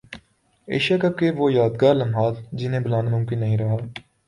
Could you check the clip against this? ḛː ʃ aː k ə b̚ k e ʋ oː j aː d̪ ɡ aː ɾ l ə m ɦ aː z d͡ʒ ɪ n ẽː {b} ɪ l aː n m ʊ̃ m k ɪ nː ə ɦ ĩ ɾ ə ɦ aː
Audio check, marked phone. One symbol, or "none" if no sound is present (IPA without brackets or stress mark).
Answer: b